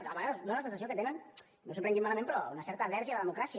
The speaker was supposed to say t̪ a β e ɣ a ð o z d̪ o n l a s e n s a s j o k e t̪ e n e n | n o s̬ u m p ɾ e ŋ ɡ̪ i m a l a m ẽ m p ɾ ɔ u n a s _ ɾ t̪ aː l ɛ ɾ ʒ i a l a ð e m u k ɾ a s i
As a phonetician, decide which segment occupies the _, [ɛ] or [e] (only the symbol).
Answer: ɛ